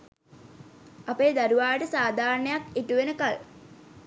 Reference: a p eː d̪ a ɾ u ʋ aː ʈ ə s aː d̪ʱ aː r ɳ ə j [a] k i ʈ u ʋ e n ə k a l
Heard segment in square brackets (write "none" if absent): a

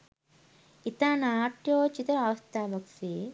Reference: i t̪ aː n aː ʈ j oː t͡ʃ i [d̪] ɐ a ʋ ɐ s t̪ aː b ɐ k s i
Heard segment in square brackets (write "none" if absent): t̪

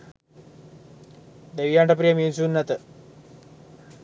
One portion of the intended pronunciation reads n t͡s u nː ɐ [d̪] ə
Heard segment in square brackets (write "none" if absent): t̪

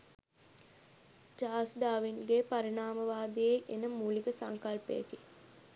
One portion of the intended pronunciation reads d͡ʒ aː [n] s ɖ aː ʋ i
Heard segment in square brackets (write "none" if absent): none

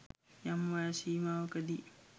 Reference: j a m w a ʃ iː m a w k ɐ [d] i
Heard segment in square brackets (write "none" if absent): d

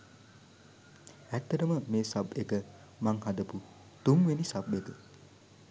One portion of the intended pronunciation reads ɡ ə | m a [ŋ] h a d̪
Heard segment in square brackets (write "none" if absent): ŋ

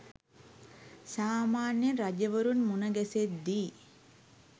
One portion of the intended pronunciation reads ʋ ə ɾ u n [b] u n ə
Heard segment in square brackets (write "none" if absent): m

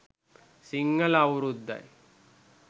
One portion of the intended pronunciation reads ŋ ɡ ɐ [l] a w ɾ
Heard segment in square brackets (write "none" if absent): l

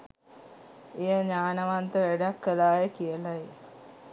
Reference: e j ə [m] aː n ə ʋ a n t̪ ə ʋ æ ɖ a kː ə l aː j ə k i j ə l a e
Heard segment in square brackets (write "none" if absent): ɲ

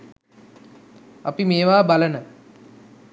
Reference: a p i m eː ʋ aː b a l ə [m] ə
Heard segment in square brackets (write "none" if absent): n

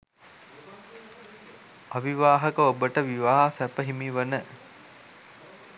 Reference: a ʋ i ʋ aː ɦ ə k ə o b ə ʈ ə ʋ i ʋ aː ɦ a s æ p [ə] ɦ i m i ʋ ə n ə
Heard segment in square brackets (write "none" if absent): ə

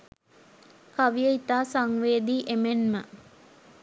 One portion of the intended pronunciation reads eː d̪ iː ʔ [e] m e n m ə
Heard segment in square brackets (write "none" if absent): e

